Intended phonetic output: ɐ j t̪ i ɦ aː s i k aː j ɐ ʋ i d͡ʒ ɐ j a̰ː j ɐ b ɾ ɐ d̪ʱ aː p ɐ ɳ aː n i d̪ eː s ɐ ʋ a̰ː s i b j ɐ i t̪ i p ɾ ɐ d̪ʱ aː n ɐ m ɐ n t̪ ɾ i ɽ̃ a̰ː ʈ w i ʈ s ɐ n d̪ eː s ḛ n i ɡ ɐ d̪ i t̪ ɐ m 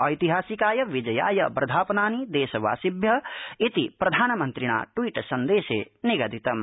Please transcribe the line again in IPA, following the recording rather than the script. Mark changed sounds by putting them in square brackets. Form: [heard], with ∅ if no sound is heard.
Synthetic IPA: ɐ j t̪ i ɦ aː s i k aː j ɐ ʋ i d͡ʒ ɐ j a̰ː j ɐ b ɾ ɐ d̪ʱ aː p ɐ [n] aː n i d̪ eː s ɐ ʋ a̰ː s i b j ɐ i t̪ i p ɾ ɐ d̪ʱ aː n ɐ m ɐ n t̪ ɾ i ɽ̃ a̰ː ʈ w i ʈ s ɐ n d̪ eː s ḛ n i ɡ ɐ d̪ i t̪ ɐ m